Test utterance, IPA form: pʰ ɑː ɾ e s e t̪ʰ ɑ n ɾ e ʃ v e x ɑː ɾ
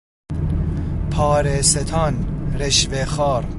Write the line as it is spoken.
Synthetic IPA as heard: pʰ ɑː ɾ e s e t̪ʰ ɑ n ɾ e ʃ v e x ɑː ɾ